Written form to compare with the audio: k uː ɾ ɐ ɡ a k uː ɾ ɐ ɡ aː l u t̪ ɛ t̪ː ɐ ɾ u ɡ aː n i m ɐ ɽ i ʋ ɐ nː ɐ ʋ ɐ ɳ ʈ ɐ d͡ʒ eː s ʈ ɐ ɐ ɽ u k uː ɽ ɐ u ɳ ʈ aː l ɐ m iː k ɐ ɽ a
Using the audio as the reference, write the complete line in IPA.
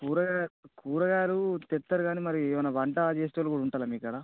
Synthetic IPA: k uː ɾ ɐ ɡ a k uː ɾ ɐ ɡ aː l u t̪ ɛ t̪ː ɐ ɾ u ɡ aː n i m ɐ ɾ i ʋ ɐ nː ɐ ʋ ɐ ɳ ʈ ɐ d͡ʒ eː s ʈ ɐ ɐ l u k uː ɽ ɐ u ɳ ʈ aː l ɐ m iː k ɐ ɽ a

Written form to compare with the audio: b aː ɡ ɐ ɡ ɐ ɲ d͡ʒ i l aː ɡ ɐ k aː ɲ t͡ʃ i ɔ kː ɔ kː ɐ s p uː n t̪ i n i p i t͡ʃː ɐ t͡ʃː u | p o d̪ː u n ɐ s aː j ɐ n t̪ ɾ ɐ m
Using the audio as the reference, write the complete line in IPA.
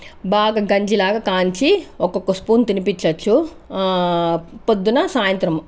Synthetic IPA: b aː ɡ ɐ ɡ ɐ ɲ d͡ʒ i l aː ɡ ɐ k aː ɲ t͡ʃ i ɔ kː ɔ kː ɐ s p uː n t̪ i n i p i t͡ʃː ɐ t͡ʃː u | p o d̪ː u n ɐ s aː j ɐ n t̪ ɾ ɐ m

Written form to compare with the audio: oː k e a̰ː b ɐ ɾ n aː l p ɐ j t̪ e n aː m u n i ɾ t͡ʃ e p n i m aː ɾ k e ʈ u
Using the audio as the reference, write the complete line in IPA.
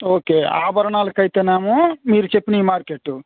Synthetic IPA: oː k e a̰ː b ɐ ɾ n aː l k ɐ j t̪ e n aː m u m i ɾ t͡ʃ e p n i m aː ɾ k e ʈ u

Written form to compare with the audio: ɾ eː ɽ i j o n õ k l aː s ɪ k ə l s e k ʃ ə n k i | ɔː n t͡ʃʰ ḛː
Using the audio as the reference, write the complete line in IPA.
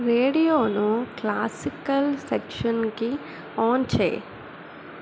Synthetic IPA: ɾ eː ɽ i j o n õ k l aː s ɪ k ə l s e k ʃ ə n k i | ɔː n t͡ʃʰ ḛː

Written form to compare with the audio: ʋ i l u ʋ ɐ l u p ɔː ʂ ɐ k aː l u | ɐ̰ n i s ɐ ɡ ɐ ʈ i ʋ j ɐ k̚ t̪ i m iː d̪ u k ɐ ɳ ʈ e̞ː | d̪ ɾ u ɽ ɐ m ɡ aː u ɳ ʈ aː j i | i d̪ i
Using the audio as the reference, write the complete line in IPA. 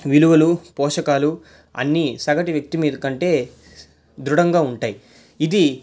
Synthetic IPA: ʋ i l u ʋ ɐ l u p ɔː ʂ ɐ k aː l u | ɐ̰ nː i s ɐ ɡ ɐ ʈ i ʋ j ɐ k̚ t̪ i m iː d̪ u k ɐ ɳ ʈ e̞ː | d̪ ɾ u ɽ ɐ ŋ ɡ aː u ɳ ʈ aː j i | i d̪ i

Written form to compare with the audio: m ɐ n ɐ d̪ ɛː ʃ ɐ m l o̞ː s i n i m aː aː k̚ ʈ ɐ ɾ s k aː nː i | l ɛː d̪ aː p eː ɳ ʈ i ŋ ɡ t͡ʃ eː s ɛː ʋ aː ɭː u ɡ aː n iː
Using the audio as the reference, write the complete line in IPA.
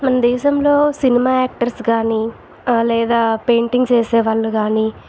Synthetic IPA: m ɐ n ɐ d̪ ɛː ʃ ɐ m l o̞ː s i n i m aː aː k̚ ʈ ɐ ɾ s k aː n i | l ɛː d̪ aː p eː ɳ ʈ i ŋ ɡ t͡ʃ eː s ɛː ʋ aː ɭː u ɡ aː n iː

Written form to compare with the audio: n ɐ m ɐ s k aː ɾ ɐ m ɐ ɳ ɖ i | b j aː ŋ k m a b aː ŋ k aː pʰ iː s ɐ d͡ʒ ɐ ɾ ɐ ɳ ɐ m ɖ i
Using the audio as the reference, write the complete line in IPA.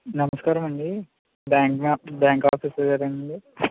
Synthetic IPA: n ɐ m ɐ s k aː ɾ ɐ m ɐ ɳ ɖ i | b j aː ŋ k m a b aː ŋ k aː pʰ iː s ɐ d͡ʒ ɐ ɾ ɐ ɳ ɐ ɳ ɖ i

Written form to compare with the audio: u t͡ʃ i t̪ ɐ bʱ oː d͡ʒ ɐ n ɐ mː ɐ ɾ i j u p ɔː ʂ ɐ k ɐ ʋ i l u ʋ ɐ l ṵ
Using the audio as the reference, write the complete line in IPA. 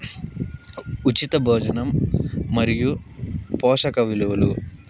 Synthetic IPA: u t͡ʃ i t̪ ɐ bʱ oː d͡ʒ ɐ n ɐ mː ɐ ɾ i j u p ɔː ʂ ɐ k ɐ ʋ i l u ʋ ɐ l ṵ

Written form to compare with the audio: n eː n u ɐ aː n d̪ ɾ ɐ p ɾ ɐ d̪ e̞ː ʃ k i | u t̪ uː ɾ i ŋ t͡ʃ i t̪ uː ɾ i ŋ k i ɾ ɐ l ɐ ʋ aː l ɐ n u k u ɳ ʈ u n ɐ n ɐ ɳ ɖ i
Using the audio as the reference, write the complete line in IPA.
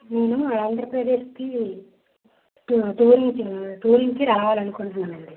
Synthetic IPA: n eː n u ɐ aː n d̪ ɾ ɐ p ɾ ɐ d̪ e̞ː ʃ k i | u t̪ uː ɾ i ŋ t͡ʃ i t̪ uː ɾ i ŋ k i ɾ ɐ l ɐ ʋ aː l ɐ n u k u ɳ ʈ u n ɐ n ɐ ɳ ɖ i

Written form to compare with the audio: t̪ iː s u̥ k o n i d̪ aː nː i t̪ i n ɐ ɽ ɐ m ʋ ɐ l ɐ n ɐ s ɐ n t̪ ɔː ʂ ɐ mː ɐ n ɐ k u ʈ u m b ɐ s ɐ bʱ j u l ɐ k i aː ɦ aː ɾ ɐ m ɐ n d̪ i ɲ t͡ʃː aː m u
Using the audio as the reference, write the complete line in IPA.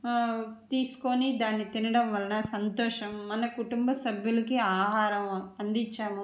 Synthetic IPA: t̪ iː s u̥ k o n i d̪ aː nː i t̪ i n ɐ ɽ ɐ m ʋ ɐ l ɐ n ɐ s ɐ n t̪ ɔː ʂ ɐ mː ɐ n ɐ k u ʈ u m b ɐ s ɐ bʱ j u l ɐ k i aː ɦ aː ɾ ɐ m ɐ n d̪ i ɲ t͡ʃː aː m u

